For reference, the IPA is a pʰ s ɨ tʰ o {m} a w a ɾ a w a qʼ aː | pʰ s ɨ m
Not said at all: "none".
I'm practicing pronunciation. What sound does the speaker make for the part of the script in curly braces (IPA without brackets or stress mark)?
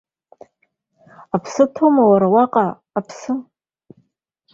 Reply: m